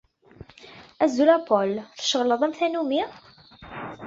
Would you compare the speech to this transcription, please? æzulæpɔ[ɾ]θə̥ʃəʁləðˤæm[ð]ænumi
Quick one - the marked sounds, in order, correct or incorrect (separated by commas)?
incorrect, incorrect